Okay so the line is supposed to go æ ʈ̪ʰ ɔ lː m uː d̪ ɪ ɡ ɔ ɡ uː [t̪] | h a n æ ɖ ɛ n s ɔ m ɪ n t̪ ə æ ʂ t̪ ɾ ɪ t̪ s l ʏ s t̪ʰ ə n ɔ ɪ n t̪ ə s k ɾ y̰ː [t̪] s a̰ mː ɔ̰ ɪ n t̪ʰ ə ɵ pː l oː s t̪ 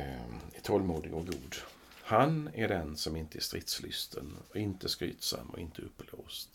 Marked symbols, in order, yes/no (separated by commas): no, yes